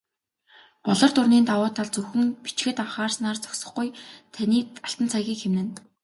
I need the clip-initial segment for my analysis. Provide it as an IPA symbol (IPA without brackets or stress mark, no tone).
p